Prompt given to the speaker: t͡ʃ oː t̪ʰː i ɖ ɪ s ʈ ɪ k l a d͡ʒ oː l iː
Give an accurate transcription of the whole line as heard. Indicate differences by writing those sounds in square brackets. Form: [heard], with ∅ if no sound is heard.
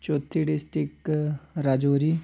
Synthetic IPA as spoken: t͡ʃ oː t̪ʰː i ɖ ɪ s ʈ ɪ k [ɾ] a d͡ʒ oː [ɾ] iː